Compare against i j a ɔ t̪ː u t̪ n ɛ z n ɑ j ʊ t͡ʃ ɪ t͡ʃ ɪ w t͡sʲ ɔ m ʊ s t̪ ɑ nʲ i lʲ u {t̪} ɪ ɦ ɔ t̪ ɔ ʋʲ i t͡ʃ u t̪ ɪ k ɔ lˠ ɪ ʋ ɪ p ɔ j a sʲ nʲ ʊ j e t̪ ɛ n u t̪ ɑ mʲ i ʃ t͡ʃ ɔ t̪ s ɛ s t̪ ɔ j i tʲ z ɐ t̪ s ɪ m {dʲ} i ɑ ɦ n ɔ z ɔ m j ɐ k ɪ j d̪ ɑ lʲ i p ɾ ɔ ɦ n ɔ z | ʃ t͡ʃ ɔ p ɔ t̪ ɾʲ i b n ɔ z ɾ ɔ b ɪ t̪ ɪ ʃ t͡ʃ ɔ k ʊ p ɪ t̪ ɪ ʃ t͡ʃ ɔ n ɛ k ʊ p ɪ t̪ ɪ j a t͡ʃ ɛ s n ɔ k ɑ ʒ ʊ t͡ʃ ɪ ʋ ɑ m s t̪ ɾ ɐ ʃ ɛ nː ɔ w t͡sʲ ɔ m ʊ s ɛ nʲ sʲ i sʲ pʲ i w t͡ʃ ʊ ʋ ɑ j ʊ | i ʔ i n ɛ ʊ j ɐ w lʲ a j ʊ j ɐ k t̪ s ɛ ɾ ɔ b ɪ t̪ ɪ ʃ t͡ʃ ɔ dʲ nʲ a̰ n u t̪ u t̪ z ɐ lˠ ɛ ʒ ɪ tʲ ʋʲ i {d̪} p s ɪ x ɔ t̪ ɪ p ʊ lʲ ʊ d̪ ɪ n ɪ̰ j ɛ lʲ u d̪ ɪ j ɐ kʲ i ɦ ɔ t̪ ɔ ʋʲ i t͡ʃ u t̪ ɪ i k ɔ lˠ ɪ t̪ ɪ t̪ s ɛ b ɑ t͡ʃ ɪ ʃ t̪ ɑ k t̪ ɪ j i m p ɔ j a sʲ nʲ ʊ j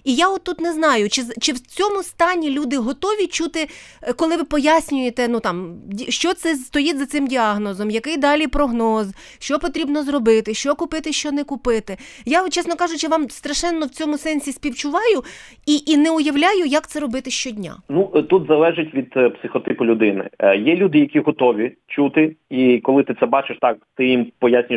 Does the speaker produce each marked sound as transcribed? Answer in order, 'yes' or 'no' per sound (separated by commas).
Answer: no, yes, yes